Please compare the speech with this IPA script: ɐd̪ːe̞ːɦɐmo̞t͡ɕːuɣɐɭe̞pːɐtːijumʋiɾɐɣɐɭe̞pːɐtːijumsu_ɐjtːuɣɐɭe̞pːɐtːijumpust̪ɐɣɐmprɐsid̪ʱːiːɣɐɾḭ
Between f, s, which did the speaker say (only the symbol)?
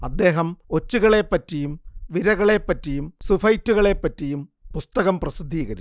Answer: f